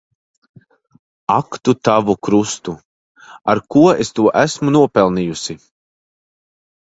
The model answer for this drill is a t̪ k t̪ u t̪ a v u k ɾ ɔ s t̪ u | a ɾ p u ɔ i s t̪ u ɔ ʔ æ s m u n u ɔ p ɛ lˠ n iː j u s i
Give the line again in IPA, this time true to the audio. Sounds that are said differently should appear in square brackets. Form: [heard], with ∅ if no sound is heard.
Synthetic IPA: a [∅] k t̪ u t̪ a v u k ɾ [u] s t̪ u | a ɾ [k] u ɔ [e] s t̪ u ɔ ʔ æ s m u n u ɔ p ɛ lˠ n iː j u s i